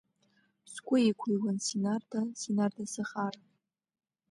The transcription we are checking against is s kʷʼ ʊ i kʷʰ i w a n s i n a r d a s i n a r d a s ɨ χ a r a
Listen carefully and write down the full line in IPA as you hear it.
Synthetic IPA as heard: s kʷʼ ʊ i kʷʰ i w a n s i n a r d a s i n a r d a s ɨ χ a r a